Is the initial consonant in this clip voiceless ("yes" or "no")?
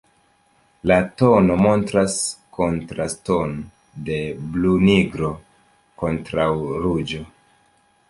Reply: no